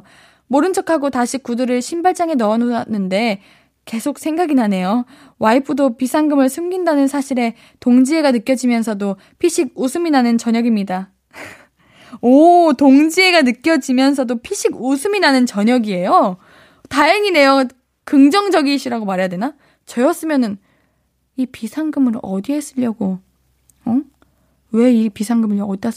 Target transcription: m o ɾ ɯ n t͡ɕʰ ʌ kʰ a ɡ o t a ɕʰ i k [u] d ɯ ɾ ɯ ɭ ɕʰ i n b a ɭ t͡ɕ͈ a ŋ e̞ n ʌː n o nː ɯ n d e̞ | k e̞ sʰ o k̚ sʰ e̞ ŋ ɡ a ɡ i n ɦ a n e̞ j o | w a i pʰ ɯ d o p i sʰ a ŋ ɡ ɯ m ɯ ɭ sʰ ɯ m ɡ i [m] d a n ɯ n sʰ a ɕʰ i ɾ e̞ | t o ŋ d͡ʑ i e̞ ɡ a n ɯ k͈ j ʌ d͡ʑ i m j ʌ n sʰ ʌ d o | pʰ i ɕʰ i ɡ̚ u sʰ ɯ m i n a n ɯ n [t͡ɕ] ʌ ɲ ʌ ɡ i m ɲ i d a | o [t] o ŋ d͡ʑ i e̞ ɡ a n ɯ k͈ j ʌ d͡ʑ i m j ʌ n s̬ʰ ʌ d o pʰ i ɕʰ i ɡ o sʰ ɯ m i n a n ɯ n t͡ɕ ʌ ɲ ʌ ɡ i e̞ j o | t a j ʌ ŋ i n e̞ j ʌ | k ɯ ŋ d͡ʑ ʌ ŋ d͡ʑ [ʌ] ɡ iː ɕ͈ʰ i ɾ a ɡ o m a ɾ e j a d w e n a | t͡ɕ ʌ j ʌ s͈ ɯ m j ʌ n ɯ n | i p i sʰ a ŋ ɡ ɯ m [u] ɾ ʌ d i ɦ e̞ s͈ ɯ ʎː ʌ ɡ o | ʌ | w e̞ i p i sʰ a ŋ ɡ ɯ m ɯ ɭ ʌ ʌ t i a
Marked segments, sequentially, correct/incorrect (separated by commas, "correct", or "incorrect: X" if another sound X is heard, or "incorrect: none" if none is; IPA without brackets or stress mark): correct, incorrect: n, correct, correct, correct, incorrect: ɯ